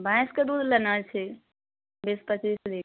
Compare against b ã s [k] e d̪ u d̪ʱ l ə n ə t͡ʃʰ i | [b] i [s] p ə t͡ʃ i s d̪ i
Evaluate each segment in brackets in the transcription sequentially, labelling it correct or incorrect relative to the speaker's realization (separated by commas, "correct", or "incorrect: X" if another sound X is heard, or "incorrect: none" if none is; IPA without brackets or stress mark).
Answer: correct, correct, correct